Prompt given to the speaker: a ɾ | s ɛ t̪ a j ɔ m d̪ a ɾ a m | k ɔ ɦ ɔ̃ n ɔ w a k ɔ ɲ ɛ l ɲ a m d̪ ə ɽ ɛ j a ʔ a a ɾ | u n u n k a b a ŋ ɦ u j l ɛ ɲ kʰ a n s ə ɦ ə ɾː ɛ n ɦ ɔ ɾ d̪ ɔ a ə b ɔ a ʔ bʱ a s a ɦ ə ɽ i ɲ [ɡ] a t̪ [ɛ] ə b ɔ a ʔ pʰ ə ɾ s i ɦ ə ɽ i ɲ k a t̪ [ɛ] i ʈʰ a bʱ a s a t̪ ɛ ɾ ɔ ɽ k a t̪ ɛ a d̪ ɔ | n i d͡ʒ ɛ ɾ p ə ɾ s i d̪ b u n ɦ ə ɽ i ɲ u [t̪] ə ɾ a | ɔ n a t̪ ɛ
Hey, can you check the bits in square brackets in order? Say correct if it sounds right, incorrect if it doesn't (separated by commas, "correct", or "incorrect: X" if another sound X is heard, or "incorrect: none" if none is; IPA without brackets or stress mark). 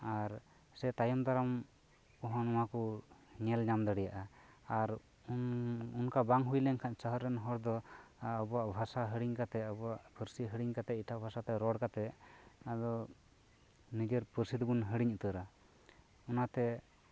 incorrect: k, correct, correct, correct